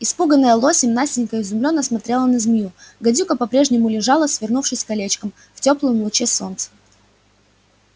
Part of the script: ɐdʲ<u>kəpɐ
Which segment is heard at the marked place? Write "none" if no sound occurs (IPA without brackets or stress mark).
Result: u